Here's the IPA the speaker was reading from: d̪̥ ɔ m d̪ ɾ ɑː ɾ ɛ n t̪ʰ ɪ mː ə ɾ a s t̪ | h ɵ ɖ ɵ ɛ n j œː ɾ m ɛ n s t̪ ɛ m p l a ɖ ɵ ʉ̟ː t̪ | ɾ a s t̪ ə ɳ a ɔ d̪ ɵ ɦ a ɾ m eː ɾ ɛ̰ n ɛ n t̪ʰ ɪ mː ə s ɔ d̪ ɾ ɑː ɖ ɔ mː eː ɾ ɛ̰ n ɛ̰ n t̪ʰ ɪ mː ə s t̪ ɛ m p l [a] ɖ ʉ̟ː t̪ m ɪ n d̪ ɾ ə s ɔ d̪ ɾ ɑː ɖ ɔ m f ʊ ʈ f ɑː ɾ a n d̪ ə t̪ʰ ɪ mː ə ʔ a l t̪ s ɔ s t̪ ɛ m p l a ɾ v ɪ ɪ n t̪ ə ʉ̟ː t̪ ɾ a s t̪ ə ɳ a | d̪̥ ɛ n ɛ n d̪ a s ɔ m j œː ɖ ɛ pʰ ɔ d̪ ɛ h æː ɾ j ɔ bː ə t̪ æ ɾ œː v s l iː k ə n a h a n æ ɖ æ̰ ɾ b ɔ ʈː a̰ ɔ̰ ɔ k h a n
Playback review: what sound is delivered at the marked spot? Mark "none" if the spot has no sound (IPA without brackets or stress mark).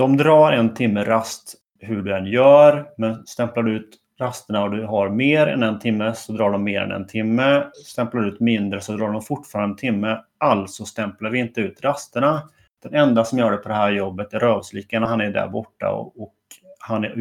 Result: a